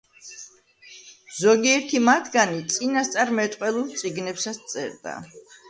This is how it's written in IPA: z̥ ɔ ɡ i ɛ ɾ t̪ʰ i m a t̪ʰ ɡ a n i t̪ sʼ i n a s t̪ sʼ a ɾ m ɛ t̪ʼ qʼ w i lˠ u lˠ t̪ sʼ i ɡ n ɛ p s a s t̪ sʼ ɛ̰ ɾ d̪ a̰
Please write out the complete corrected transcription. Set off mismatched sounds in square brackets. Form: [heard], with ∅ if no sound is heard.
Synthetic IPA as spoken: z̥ ɔ ɡ i ɛ ɾ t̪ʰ i m a t̪ʰ ɡ a n i t̪ sʼ i n a s t̪ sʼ a ɾ m ɛ t̪ʼ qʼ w [ɛ] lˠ u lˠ t̪ sʼ i ɡ n ɛ p s a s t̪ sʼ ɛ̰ ɾ d̪ a̰